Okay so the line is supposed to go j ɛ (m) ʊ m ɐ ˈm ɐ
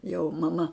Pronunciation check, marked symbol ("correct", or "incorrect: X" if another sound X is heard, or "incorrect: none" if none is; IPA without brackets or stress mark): incorrect: none